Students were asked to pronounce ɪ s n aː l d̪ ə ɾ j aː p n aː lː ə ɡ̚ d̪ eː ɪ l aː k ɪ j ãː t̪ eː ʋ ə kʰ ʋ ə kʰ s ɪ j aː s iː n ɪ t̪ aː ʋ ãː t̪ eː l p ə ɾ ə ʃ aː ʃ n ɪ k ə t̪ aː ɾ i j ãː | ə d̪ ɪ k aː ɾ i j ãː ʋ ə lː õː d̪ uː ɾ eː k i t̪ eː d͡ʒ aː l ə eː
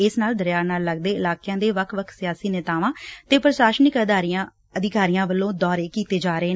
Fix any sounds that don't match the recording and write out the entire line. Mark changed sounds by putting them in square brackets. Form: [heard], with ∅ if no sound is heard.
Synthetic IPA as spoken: ɪ s n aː l d̪ ə ɾ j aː [∅] n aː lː ə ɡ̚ d̪ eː ɪ l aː k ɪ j ãː [d̪] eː ʋ ə kʰ ʋ ə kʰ s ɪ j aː s iː n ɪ t̪ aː ʋ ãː t̪ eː [∅] p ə ɾ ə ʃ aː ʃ n ɪ k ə [d̪] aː ɾ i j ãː | ə d̪ ɪ k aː ɾ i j ãː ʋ ə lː õː d̪ [ɔː] ɾ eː k [iː] t̪ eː d͡ʒ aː [ɾ] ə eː